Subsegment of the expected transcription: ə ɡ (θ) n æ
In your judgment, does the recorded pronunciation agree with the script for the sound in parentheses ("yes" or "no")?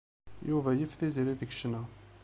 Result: no